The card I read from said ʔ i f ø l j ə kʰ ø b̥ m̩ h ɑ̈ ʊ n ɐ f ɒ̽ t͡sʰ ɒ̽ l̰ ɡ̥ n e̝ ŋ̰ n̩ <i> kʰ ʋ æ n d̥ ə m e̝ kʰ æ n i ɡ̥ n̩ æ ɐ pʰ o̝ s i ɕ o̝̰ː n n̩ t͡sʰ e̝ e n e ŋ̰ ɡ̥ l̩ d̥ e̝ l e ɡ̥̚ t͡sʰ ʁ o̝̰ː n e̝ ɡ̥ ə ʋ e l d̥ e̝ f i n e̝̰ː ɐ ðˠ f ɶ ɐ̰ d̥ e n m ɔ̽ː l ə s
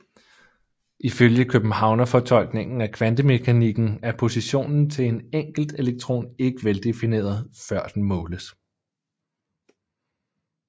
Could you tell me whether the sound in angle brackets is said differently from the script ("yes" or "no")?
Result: yes